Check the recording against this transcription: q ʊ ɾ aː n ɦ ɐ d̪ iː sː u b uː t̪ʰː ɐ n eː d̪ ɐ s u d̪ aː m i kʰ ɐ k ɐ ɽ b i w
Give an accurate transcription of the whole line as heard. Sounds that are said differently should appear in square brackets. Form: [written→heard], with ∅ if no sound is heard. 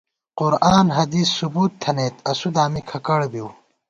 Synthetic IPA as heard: q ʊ ɾ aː n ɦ ɐ d̪ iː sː u b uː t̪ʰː ɐ n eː [d̪→t̪] ɐ s u d̪ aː m i kʰ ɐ k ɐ ɽ b i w